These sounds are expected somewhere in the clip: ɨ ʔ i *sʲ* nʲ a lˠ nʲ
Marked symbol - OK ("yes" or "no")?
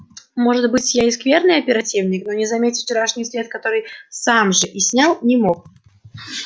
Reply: yes